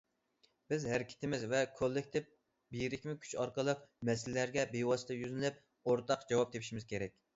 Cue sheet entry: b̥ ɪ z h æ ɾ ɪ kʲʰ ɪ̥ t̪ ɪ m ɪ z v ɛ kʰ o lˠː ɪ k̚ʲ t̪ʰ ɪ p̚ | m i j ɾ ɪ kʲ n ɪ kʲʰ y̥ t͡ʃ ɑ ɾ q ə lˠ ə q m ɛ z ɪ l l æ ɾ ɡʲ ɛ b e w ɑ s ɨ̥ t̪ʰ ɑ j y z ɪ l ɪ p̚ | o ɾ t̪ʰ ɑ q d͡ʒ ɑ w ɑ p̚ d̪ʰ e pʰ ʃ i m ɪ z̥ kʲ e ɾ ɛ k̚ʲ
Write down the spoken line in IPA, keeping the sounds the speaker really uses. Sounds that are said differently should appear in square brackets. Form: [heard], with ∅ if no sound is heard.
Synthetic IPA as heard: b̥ ɪ z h æ ɾ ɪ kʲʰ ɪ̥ t̪ ɪ m ɪ z v ɛ kʰ o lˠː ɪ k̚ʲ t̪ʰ ɪ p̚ | [b] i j ɾ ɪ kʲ [m] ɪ kʲʰ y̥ t͡ʃ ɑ ɾ q ə lˠ ə q m ɛ [s] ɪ l l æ ɾ ɡʲ ɛ b e w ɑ s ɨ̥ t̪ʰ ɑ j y z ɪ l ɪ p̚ | o ɾ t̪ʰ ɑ q d͡ʒ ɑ w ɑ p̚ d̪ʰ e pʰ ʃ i m ɪ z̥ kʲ e ɾ ɛ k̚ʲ